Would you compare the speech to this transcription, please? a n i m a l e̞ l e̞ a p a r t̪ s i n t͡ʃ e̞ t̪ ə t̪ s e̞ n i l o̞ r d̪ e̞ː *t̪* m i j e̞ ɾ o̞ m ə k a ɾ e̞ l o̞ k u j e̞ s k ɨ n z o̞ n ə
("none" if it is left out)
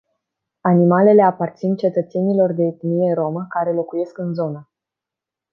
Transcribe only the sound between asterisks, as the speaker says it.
t̪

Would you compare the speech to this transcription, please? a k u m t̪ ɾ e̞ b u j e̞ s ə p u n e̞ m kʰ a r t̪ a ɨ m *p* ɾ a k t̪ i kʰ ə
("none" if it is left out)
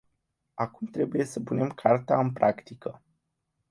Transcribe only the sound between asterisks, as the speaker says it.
p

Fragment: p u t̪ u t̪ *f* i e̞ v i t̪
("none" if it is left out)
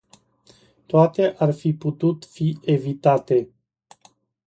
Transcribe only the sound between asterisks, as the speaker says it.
f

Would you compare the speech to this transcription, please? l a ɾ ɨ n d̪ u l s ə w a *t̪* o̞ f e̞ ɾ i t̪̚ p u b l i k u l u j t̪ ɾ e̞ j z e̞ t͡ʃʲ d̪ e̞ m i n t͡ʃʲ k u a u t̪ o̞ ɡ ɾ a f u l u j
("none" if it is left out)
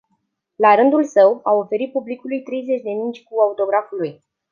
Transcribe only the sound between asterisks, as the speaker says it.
none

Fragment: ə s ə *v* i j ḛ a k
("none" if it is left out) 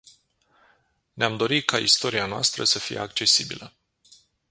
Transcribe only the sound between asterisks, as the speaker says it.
f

